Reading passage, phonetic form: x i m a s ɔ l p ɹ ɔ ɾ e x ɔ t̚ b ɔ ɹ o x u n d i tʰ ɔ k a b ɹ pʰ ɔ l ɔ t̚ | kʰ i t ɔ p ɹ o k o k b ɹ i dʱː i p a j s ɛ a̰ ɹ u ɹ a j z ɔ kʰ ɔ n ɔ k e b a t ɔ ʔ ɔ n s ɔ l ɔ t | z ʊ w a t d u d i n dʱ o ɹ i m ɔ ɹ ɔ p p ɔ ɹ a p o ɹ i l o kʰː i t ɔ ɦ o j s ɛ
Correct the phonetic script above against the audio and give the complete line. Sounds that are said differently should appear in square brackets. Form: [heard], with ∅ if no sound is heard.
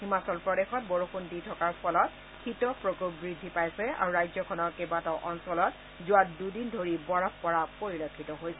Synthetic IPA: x i m a s ɔ l p ɹ ɔ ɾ e x ɔ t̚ b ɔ ɹ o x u n d i tʰ ɔ k a [∅] ɹ pʰ ɔ l ɔ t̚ | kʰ i t ɔ p ɹ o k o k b ɹ i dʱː i p a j s ɛ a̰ ɹ u ɹ a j z ɔ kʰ ɔ n ɔ k e b a t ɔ ʔ ɔ n s ɔ l ɔ t | z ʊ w a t d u d i n dʱ o ɹ i [b] ɔ ɹ ɔ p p ɔ ɹ a p o ɹ i l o kʰː i t ɔ ɦ o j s ɛ

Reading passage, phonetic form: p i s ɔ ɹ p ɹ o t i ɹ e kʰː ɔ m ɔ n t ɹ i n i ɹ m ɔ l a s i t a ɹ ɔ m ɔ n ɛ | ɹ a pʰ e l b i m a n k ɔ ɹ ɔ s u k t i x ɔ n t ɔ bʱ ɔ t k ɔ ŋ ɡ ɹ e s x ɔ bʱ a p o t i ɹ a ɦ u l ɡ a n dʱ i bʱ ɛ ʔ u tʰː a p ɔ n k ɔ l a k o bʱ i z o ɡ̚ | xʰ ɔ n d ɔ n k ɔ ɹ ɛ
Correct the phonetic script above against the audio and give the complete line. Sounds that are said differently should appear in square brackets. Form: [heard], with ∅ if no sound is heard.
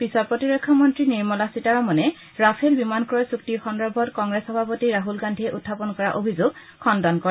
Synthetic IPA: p i s ɔ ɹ p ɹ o t i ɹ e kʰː ɔ m ɔ n t ɹ i n i ɹ m ɔ l a s i t a ɹ ɔ m ɔ n ɛ | ɹ a pʰ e l b i m a n k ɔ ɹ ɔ s u k t i x ɔ n [d] ɔ bʱ ɔ t k ɔ ŋ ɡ ɹ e s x ɔ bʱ a p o t i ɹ a ɦ u l ɡ a n dʱ i [∅] ɛ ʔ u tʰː a p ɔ n k ɔ [ɹ] a [ʔ] o bʱ i z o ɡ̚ | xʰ ɔ n d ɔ n k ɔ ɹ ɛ

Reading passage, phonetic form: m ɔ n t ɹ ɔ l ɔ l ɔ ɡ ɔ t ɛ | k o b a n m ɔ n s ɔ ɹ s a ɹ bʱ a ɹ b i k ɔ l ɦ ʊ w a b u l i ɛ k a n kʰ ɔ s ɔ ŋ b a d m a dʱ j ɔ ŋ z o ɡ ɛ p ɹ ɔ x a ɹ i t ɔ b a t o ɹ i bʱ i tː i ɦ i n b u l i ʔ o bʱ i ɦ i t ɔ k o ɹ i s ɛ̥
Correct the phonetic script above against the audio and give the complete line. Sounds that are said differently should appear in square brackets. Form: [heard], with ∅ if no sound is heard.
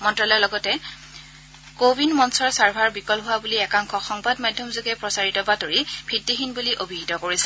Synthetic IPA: m ɔ n t ɹ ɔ l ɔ l ɔ ɡ ɔ t ɛ | k o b [i] n m ɔ n s ɔ ɹ s a ɹ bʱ a ɹ b i k ɔ l ɦ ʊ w a b u l i ɛ k a [ŋ] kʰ ɔ [x] ɔ ŋ b a d m a dʱ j ɔ [m] z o ɡ ɛ p ɹ ɔ [s] a ɹ i t ɔ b a t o ɹ i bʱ i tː i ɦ i n b u l i ʔ o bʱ i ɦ i t ɔ k o ɹ i s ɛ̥

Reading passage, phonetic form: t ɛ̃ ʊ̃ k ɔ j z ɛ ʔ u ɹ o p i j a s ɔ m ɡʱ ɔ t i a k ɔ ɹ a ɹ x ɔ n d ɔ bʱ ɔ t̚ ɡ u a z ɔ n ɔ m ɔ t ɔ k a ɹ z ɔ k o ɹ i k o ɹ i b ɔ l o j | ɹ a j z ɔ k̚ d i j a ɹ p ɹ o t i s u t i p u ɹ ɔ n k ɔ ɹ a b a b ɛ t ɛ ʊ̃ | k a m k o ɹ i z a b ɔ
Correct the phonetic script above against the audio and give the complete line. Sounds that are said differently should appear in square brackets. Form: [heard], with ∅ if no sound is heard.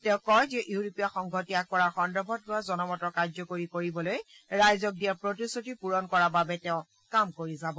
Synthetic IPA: t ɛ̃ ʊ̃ k ɔ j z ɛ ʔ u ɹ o p i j a [x] ɔ [ŋ] ɡʱ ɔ t i a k ɔ ɹ a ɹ x ɔ n d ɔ bʱ ɔ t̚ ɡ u a z ɔ n ɔ m ɔ t ɔ k a ɹ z ɔ k o ɹ i k o ɹ i b ɔ l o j | ɹ a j z ɔ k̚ d i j a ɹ p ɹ o t i s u t i p u ɹ ɔ n k ɔ ɹ a b a b ɛ t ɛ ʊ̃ | k a m k o ɹ i z a b ɔ

